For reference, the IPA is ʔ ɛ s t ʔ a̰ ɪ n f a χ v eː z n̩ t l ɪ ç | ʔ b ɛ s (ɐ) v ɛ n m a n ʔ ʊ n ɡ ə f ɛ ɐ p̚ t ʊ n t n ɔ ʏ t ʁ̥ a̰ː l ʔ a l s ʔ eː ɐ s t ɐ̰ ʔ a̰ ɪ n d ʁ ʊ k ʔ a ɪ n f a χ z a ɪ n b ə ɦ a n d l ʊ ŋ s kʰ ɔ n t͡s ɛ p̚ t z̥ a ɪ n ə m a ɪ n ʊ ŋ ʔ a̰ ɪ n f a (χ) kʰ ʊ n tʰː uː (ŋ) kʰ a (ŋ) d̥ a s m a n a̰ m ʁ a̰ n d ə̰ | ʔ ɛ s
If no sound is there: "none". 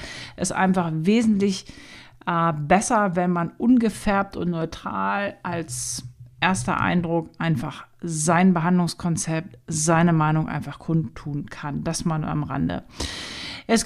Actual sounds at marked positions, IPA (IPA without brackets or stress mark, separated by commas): ɐ, χ, n, n